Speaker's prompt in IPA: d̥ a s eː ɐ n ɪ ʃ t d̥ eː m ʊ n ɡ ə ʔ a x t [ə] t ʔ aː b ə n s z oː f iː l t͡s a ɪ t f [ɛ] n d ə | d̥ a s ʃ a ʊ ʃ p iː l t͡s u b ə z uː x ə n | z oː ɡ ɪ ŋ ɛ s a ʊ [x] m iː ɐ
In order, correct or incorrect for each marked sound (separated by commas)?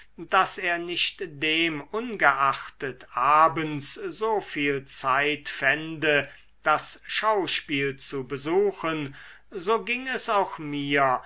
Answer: correct, correct, correct